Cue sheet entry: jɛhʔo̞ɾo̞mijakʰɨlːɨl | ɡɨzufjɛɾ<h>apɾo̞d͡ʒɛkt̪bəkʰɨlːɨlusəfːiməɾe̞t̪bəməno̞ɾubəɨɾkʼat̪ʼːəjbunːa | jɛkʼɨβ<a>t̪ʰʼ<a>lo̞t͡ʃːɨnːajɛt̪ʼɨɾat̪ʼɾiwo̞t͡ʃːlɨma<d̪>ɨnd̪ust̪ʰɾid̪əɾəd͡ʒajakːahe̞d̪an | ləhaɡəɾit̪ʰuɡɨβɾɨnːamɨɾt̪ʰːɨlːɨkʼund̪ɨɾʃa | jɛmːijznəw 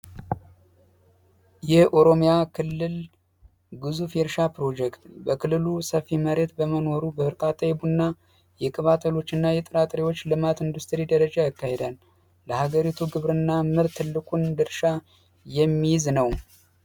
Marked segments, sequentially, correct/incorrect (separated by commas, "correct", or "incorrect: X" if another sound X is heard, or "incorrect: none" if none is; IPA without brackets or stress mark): incorrect: ʃ, correct, incorrect: ə, incorrect: t̪